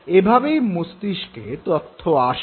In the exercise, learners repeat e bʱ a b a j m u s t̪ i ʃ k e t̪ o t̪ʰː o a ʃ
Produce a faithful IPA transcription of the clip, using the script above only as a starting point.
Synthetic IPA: e bʱ a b e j m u s t̪ i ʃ k e t̪ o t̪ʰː o a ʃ